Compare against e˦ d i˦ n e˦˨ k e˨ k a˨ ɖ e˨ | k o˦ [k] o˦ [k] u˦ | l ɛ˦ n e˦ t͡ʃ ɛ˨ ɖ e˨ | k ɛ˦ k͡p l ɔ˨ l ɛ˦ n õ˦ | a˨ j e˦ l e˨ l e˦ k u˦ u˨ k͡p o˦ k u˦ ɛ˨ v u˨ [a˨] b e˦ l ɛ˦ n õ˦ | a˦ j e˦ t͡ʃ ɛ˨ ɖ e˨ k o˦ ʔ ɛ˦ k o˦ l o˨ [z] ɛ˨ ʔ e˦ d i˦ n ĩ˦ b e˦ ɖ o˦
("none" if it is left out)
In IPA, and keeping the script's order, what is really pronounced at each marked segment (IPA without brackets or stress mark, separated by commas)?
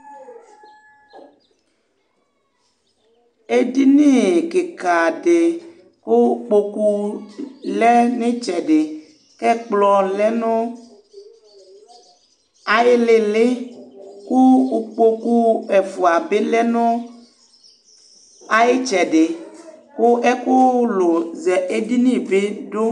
k͡p, k, a˨, z